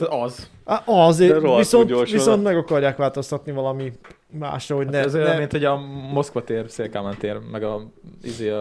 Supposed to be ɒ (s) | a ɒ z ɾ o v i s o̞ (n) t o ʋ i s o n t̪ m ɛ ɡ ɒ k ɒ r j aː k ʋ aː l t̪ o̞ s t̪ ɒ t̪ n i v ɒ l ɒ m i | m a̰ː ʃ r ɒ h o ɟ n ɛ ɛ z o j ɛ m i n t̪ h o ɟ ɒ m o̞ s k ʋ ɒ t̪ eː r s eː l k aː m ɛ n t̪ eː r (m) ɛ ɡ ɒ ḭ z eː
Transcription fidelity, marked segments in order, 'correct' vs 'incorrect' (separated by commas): incorrect, correct, correct